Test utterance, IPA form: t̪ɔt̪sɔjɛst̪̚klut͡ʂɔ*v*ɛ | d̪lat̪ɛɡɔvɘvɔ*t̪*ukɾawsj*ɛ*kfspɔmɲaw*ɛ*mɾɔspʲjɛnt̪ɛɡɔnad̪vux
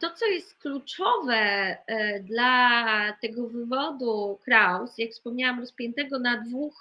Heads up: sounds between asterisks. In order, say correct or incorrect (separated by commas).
correct, incorrect, incorrect, incorrect